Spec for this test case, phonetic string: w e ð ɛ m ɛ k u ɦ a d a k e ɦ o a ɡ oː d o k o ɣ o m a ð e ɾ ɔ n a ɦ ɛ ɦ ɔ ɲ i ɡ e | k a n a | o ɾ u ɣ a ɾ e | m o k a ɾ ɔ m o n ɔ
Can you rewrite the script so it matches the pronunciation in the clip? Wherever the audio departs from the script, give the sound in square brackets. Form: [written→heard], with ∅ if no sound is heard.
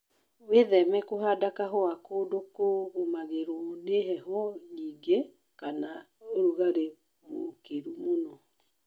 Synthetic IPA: w e ð ɛ m ɛ k [u→o] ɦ a d a k [e→a] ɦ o a [ɡ→k] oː d o k o ɣ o m a [ð→ɣ] e ɾ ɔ n [a→e] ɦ ɛ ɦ ɔ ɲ i ɡ e | k a n a | o ɾ u ɣ a ɾ e | m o k [a→e] ɾ [ɔ→u] m o n ɔ